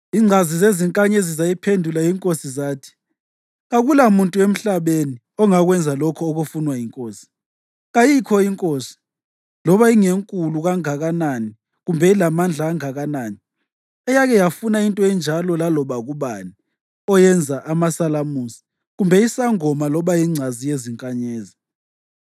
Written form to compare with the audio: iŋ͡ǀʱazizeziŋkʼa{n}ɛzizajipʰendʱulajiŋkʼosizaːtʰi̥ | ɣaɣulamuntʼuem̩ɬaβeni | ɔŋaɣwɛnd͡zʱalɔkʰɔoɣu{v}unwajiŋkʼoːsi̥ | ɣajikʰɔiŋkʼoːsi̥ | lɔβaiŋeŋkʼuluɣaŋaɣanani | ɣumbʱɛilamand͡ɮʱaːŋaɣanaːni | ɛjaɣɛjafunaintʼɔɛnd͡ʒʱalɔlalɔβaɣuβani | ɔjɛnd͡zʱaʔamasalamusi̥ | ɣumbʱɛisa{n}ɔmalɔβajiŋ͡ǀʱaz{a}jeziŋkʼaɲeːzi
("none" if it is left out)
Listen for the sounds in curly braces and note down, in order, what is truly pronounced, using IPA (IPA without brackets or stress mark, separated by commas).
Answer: ɲ, f, ŋ, i